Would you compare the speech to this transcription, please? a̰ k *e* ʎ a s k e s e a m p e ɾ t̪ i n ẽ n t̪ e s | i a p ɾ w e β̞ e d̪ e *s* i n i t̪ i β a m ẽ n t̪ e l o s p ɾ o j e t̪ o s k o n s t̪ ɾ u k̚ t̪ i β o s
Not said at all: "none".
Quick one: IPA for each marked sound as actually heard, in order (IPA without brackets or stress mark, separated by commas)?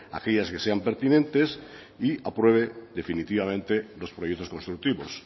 e, f